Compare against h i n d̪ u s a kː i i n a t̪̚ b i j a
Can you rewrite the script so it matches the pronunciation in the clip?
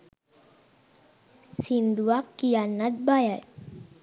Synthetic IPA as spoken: s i n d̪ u a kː i a n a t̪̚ b a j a